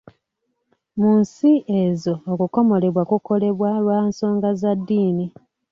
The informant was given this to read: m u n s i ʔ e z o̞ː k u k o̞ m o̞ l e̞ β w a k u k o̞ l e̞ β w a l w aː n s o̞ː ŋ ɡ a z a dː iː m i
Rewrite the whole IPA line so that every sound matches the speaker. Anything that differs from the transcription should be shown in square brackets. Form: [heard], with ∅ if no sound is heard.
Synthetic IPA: m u n s i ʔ e z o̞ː k u k o̞ m o̞ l e̞ β w a k u k o̞ l e̞ β w a l w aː n s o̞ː ŋ ɡ a z a dː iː [n] i